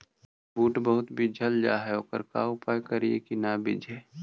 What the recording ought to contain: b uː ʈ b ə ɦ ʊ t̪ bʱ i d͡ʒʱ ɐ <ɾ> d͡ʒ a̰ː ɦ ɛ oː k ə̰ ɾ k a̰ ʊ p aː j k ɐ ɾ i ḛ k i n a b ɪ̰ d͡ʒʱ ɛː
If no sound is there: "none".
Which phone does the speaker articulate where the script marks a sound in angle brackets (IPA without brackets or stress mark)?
l